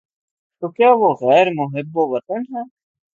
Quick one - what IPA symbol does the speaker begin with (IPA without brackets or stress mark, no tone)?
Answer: t̪